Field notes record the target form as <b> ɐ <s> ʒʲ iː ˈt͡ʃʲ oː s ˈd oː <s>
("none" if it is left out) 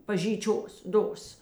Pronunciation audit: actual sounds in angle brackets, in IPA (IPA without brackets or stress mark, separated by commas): p, none, s